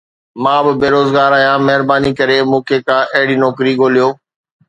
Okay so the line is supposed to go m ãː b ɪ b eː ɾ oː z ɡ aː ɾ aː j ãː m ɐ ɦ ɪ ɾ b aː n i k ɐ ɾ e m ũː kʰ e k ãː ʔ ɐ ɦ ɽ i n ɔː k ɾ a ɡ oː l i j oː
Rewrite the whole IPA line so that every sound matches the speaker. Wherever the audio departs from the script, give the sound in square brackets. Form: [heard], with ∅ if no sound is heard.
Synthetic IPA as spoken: m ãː b ɪ b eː ɾ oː z ɡ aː ɾ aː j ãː m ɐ ɦ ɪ ɾ b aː n i k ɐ ɾ e m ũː kʰ e k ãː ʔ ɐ ɦ ɽ i n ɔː k ɾ [i] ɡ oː l i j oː